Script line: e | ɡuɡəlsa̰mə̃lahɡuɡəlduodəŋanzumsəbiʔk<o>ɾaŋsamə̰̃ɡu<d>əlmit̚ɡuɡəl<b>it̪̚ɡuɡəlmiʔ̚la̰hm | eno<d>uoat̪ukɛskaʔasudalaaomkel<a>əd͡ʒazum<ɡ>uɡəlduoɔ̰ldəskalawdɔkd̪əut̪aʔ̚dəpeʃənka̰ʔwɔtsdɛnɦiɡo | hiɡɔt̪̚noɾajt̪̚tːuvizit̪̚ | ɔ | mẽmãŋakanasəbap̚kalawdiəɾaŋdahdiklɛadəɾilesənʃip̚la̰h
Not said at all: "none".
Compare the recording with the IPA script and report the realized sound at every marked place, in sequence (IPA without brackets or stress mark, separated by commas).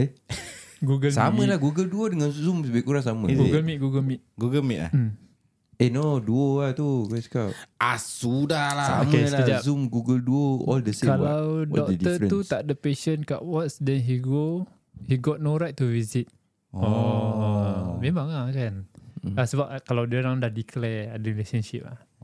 u, ɡ, m, d, a, ɡ